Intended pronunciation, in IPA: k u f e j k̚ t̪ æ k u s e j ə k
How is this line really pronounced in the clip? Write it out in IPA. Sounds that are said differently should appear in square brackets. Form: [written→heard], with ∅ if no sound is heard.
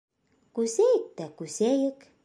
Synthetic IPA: k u [f→s] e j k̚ t̪ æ k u s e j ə k

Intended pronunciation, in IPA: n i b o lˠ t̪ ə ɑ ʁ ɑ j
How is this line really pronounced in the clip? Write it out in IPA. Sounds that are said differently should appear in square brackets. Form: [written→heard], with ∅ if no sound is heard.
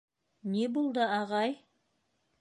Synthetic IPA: n [i→e] b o lˠ [t̪→d̪] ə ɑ ʁ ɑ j

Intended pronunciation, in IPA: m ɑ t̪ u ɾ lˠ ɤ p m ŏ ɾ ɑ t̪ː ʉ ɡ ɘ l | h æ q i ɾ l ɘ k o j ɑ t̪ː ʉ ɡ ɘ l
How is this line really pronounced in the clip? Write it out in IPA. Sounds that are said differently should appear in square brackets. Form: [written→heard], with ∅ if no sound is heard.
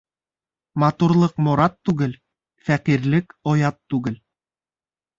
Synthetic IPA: m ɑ t̪ u ɾ lˠ ɤ [p→q] m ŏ ɾ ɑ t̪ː ʉ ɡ ɘ l | [h→f] æ q i ɾ l ɘ k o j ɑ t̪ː ʉ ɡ ɘ l

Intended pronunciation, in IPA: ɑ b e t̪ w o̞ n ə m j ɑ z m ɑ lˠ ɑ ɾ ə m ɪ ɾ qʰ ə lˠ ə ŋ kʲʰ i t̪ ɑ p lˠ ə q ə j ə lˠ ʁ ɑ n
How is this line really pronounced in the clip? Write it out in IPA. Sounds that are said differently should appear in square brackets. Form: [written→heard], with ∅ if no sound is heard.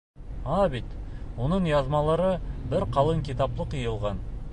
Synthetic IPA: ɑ b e t̪ w o̞ n ə [m→ɴ] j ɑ z m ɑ lˠ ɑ ɾ ə [m→b] ɪ ɾ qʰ [ə→ɑ] lˠ ə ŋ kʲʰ i t̪ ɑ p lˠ ə q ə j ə lˠ ʁ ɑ n

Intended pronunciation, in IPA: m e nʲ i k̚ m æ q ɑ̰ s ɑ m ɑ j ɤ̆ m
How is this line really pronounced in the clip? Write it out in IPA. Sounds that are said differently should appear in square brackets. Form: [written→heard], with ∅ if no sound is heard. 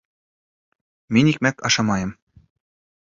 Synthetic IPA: m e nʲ i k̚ m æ [q→k] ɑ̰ [s→ʃ] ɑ m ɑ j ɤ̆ m

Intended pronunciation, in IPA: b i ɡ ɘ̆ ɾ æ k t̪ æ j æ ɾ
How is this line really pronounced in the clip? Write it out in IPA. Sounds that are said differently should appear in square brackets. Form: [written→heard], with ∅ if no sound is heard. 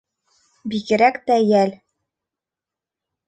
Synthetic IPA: b i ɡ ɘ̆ ɾ æ k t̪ æ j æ [ɾ→l]

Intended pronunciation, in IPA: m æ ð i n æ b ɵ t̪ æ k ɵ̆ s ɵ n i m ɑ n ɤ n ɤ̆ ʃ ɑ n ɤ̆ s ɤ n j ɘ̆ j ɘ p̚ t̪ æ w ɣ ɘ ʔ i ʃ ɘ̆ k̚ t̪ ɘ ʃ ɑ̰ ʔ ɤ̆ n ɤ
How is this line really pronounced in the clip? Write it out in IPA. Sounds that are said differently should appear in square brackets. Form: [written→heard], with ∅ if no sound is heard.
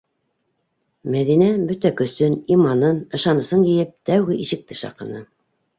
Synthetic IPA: m æ ð i n æ b ɵ t̪ æ k ɵ̆ s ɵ n i m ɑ n ɤ n ɤ̆ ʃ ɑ n ɤ̆ s ɤ n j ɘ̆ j ɘ p̚ t̪ æ w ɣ ɘ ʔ i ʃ ɘ̆ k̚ t̪ ɘ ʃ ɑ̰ [ʔ→q] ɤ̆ n ɤ

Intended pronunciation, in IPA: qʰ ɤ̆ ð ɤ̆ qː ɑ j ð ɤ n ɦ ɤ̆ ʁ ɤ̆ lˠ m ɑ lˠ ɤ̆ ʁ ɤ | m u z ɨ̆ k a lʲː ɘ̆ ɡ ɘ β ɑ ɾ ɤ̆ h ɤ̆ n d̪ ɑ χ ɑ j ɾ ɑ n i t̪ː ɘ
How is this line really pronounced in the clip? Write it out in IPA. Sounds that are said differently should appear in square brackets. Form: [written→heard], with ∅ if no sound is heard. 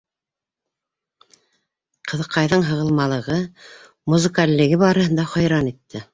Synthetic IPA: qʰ ɤ̆ ð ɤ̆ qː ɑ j ð ɤ [n→ɴ] ɦ ɤ̆ ʁ ɤ̆ lˠ m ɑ lˠ ɤ̆ ʁ ɤ | m u z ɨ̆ k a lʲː ɘ̆ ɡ ɘ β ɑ ɾ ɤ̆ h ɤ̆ n d̪ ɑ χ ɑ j ɾ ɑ n i t̪ː ɘ

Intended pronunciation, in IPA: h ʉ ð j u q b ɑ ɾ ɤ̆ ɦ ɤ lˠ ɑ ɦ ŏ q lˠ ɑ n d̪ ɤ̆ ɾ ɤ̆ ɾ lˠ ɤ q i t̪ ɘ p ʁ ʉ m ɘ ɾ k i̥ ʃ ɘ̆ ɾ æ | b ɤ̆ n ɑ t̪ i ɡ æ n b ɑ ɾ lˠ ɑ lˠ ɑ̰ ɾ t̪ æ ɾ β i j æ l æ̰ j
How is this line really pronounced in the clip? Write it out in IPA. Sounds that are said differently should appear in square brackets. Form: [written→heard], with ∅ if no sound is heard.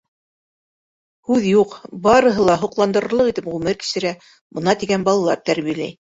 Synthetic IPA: h ʉ ð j u q b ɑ ɾ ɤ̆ ɦ ɤ lˠ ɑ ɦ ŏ q lˠ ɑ n d̪ ɤ̆ ɾ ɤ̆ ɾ lˠ ɤ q i t̪ ɘ p ʁ ʉ m ɘ ɾ k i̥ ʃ ɘ̆ ɾ æ | b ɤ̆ n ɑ t̪ i ɡ æ n b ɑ [ɾ→∅] lˠ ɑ lˠ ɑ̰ ɾ t̪ æ ɾ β i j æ l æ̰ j

